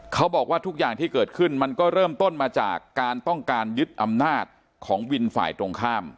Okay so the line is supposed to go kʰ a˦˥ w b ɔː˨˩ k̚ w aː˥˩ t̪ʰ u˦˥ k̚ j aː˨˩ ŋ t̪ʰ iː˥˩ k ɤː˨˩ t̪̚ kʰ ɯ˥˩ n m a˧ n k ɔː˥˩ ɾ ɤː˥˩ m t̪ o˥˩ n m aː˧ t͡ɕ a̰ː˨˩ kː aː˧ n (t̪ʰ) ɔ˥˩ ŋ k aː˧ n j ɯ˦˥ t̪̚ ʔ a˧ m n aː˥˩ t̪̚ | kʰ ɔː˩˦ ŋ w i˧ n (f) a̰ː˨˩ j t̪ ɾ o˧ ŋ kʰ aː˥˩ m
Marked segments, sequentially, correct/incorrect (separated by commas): incorrect, correct